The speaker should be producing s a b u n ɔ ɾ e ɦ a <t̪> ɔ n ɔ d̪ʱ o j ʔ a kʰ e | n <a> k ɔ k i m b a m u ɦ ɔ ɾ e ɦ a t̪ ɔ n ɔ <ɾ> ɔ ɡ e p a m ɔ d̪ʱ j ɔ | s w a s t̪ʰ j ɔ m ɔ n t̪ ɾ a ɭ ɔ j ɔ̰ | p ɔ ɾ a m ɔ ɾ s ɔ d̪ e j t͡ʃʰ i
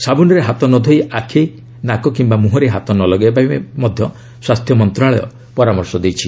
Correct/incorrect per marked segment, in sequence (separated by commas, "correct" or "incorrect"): correct, correct, incorrect